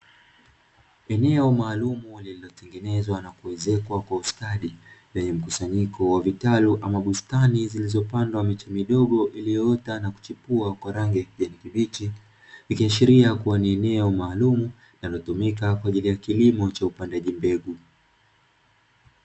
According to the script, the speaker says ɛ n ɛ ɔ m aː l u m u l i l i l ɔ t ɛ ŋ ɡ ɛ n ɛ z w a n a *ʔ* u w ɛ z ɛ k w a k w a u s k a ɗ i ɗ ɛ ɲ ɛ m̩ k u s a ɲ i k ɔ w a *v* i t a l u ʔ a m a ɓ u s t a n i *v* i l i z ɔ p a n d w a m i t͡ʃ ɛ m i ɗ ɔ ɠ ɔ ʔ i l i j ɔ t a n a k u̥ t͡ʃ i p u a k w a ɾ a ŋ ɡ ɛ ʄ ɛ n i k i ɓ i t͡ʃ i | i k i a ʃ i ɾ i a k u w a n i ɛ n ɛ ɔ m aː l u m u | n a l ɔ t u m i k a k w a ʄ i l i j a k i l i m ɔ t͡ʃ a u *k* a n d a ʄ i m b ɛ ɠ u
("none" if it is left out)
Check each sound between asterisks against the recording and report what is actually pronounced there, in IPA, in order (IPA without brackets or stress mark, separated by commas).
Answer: k, v, z, p